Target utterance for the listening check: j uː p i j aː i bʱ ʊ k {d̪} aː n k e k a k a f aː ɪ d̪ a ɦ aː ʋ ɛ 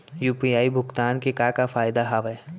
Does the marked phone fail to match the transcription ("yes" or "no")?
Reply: yes